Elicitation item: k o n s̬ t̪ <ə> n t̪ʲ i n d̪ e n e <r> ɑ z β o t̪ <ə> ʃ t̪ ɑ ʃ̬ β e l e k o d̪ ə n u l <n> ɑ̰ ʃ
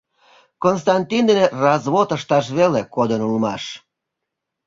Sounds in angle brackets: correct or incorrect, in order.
incorrect, correct, correct, incorrect

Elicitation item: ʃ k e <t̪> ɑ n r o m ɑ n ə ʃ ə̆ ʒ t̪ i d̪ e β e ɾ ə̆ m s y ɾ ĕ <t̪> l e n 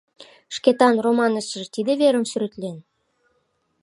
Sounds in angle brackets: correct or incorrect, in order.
correct, correct

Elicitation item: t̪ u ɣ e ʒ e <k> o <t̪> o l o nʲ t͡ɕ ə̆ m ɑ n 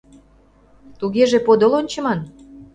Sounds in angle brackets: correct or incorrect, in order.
incorrect, incorrect

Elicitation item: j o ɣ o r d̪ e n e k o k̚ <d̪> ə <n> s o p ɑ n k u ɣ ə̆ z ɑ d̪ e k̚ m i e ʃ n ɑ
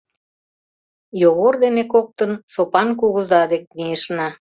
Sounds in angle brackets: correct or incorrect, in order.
incorrect, correct

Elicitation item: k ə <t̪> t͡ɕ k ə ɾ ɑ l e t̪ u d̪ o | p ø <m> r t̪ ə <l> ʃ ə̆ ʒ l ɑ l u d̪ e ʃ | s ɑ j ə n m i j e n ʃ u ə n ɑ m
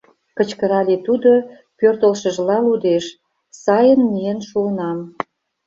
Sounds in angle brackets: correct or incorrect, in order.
incorrect, incorrect, correct

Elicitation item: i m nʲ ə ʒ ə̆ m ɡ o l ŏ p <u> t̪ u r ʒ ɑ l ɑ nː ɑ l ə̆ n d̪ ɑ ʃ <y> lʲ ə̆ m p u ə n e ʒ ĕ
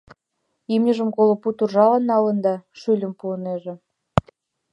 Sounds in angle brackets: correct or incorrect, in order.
correct, correct

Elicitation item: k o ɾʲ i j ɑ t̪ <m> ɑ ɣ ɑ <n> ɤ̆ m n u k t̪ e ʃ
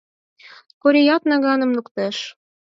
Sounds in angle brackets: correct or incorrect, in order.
incorrect, correct

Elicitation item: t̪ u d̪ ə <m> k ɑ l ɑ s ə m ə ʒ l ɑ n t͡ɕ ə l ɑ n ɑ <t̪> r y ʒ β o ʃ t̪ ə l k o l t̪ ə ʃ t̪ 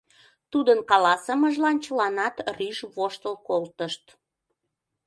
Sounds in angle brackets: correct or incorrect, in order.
incorrect, correct

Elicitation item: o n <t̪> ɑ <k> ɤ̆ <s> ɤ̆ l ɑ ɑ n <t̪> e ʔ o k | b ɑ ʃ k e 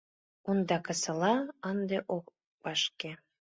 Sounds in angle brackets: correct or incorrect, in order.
incorrect, correct, correct, incorrect

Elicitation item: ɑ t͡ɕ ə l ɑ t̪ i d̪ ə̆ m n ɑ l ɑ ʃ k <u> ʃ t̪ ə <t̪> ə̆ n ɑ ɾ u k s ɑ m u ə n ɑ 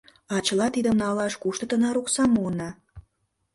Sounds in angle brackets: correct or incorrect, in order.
correct, correct

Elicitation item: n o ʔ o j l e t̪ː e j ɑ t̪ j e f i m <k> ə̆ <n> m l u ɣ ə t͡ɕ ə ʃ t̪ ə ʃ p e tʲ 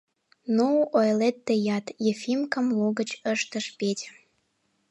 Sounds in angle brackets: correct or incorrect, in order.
correct, incorrect

